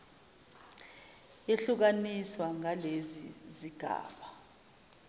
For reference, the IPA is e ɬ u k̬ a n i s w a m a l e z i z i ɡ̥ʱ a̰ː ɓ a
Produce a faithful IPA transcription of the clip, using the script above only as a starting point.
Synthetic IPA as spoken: e ɬ u k̬ a n i s w a ŋ a l e z i z i ɡ̥ʱ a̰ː ɓ a